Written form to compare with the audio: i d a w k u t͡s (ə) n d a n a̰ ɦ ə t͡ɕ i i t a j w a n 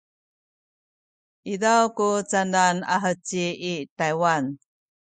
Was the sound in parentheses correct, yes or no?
no